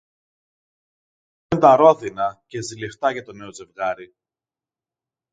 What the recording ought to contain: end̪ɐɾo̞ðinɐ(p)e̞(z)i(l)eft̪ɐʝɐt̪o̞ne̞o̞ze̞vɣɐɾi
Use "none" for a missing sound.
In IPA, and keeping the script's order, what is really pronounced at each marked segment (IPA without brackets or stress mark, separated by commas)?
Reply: c, z, l